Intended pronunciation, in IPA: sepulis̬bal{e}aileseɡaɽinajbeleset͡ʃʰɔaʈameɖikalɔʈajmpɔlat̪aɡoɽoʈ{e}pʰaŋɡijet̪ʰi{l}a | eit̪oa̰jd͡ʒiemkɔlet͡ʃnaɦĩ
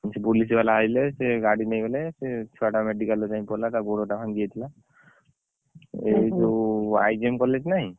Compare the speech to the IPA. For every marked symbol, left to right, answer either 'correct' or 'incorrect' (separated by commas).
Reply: incorrect, incorrect, correct